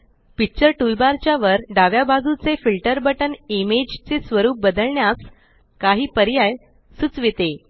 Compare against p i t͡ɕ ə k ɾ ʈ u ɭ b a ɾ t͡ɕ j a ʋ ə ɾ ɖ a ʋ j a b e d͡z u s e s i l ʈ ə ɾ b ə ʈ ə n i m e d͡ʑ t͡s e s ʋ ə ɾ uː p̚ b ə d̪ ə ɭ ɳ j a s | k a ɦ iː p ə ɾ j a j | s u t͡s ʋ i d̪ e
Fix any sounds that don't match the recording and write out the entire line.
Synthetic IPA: p i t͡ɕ ə ɾ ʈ u l b a ɾ t͡ɕ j a ʋ ə ɾ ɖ a ʋ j a b a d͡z u t͡s e f i l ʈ ə ɾ b ə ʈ ə n i m e d͡ʑ t͡s e s ʋ ə ɾ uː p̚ b ə d̪ ə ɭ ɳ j a s | k a ɦ iː p ə ɾ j a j | s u t͡s ʋ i t̪ e